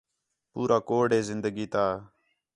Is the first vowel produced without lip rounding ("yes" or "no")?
no